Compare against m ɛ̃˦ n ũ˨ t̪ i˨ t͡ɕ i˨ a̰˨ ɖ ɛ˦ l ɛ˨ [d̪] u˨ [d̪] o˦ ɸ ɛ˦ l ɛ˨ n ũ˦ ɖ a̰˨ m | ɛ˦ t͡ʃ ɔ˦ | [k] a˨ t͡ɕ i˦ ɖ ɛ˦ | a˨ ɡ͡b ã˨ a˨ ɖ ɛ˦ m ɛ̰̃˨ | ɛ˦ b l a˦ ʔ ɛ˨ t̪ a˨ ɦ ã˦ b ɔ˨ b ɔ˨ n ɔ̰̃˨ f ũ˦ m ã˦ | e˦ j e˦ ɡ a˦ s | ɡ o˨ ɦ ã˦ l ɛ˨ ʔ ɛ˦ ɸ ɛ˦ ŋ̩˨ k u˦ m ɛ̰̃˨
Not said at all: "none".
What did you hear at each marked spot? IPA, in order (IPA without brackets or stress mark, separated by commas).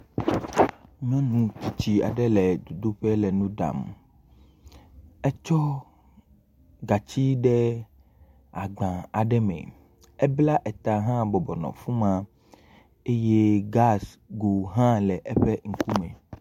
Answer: d̪, d̪, ɡ